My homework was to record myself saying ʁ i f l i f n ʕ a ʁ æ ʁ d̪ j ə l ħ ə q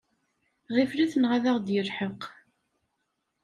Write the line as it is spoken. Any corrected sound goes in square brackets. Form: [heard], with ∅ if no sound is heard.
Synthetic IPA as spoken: ʁ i f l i [θ] n [ʁ] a [ð] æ ʁ d̪ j ə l ħ ə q